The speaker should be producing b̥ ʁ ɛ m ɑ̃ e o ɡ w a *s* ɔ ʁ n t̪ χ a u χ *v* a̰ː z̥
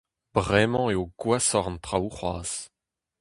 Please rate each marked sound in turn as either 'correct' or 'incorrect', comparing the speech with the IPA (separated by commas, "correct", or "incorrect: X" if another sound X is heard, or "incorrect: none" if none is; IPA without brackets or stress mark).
correct, incorrect: w